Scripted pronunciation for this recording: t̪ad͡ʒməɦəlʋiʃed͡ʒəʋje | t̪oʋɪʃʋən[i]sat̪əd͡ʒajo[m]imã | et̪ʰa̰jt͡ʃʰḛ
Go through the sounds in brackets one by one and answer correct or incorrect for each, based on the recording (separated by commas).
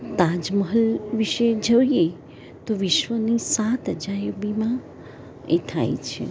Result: correct, incorrect